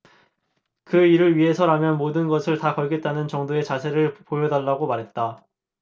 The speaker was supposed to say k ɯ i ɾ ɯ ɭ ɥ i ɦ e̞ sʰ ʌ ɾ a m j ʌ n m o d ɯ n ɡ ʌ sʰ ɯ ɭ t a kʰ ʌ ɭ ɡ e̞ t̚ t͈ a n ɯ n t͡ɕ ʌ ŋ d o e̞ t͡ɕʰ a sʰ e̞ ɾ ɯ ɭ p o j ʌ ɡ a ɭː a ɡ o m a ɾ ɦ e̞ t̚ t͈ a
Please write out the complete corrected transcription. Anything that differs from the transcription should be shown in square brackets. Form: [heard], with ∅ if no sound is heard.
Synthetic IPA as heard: k ɯ i ɾ ɯ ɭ ɥ i ɦ e̞ sʰ ʌ ɾ a m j ʌ n m o d ɯ n ɡ ʌ sʰ ɯ ɭ t a [k] ʌ ɭ ɡ e̞ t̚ t͈ a n ɯ n t͡ɕ ʌ ŋ d o e̞ [t͡ɕ] a sʰ e̞ ɾ ɯ ɭ p o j ʌ [d] a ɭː a ɡ o m a ɾ ɦ e̞ t̚ t͈ a